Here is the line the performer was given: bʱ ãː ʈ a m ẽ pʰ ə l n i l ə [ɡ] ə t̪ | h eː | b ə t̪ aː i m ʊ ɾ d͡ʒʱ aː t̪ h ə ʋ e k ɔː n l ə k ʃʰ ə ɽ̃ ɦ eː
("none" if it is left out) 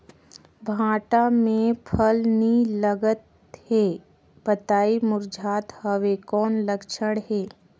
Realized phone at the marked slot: ɡ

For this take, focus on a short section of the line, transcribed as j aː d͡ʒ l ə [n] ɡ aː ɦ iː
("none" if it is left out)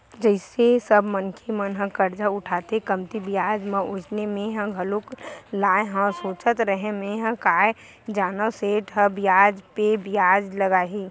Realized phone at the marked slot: none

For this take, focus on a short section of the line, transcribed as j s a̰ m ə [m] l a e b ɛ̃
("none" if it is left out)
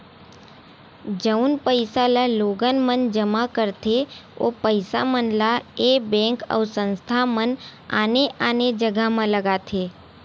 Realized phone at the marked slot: n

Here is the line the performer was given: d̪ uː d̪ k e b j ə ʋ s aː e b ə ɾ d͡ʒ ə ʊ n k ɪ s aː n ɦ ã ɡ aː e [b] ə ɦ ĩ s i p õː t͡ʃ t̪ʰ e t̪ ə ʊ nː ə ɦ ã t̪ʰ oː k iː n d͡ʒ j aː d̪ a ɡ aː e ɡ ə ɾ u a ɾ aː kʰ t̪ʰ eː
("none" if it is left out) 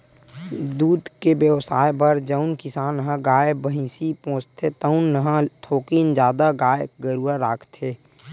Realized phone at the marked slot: b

